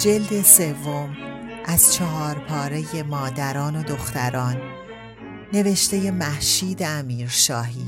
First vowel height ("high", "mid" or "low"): mid